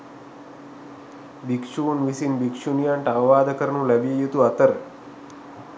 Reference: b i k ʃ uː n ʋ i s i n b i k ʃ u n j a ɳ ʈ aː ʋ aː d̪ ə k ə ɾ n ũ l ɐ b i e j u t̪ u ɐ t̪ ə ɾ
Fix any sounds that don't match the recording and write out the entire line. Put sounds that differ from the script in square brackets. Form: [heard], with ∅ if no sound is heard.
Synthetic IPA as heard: b i k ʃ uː n ʋ i s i n b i k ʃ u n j a ɳ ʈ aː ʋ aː d̪ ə k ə ɾ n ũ l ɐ b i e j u t̪ u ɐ t̪ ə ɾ